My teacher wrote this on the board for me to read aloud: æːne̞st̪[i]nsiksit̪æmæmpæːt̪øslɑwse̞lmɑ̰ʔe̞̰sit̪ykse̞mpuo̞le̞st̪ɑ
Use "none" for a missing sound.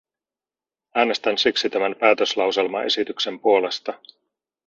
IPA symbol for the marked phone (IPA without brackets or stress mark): æ